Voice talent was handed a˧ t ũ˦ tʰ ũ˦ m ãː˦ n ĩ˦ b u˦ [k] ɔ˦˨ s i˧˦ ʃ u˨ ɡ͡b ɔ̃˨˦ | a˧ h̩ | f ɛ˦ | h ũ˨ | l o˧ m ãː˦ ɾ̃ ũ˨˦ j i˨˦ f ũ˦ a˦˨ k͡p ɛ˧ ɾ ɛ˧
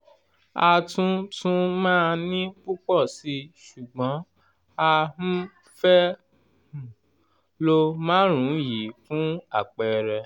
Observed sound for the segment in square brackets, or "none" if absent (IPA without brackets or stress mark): k͡p